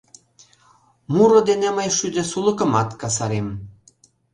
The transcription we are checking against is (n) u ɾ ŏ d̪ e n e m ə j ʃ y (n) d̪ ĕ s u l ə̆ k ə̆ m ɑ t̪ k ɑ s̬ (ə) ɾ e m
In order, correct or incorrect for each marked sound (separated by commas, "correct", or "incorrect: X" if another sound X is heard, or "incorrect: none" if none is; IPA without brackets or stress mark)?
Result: incorrect: m, incorrect: none, incorrect: ɑ